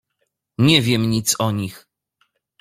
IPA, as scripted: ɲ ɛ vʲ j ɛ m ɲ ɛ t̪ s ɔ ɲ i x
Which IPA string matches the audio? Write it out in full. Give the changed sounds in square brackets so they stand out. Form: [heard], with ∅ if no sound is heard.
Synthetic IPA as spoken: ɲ ɛ vʲ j ɛ m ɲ [i] t̪ s ɔ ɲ i x